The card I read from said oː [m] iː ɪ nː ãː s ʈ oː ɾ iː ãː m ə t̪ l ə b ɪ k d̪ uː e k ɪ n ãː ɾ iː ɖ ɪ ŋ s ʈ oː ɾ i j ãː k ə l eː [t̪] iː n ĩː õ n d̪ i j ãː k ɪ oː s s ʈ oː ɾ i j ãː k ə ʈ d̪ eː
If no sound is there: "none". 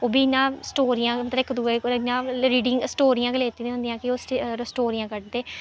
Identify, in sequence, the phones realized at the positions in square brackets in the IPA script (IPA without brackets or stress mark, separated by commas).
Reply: b, t̪